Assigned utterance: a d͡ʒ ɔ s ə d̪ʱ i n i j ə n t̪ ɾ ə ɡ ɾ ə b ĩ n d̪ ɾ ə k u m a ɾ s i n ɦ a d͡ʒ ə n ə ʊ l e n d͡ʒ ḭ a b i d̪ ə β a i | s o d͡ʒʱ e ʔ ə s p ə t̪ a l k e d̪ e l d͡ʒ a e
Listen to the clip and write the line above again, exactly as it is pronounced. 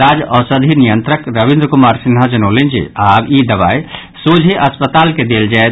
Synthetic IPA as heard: a d͡ʒ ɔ s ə d̪ʱ i n i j ə n t̪ ɾ ə k ɾ ə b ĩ n d̪ ɾ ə k u m a ɾ s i n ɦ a d͡ʒ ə n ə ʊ l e n d͡ʒ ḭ a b i d̪ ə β a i | s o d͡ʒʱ e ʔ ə s p ə t̪ a l k e d̪ e l d͡ʒ a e